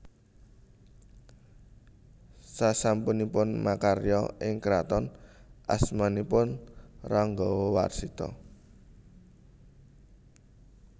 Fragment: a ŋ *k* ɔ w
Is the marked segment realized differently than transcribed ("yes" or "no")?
yes